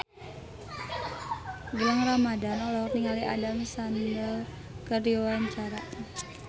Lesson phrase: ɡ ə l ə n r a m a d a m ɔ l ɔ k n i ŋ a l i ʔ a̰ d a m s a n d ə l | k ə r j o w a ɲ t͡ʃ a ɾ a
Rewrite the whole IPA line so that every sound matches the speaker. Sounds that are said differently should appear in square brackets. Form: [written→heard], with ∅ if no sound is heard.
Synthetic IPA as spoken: ɡ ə l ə [n→ŋ] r a m a d a [m→n] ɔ l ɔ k n i ŋ a l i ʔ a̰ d a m s a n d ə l | k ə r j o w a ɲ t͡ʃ a ɾ a